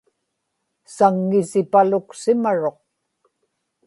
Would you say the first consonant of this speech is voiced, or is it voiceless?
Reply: voiceless